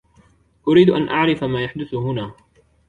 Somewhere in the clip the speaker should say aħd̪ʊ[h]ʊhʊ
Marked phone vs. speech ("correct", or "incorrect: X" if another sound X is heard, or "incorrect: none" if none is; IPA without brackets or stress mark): incorrect: θ